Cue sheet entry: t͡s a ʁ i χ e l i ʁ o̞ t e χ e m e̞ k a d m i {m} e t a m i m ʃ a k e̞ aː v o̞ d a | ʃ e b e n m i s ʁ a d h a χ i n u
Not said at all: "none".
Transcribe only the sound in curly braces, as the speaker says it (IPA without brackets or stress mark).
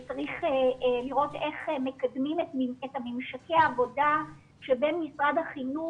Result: m